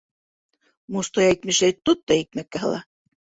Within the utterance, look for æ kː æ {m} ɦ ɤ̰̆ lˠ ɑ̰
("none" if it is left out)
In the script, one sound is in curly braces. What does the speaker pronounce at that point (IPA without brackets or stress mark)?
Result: none